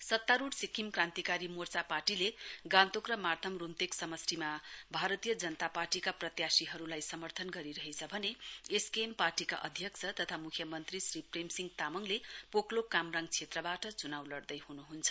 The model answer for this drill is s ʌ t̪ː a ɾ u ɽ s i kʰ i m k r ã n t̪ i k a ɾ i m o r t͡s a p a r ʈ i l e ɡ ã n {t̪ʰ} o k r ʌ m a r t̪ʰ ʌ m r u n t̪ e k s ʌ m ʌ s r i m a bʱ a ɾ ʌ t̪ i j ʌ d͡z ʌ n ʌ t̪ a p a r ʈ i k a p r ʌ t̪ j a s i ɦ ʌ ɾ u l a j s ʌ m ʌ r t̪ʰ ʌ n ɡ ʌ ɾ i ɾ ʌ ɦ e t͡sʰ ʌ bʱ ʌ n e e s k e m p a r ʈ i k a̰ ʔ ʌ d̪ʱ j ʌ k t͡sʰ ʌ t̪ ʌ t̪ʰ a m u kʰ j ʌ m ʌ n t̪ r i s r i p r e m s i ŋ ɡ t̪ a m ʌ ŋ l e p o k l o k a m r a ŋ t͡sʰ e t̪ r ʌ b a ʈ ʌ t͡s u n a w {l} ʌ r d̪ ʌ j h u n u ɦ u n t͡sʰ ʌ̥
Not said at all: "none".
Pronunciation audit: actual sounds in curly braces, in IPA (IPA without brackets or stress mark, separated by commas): t̪, l